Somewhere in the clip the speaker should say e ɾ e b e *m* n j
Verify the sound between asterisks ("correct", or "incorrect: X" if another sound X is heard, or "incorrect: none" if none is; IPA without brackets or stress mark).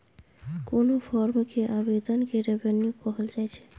incorrect: none